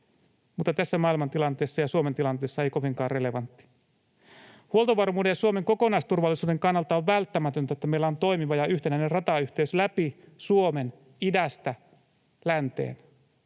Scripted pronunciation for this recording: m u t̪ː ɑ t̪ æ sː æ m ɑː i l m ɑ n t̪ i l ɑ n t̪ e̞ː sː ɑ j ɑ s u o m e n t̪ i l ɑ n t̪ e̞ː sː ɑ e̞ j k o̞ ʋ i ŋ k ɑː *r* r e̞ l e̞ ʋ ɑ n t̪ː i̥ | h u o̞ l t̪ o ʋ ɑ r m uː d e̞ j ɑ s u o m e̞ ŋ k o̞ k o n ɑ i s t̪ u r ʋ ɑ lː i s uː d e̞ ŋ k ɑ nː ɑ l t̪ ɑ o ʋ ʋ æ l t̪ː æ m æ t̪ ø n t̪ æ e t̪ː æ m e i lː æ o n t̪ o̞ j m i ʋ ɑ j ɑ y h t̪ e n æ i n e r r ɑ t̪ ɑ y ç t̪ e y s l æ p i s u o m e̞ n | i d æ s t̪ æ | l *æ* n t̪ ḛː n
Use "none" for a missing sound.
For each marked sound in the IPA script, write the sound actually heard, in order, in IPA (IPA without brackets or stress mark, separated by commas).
r, æ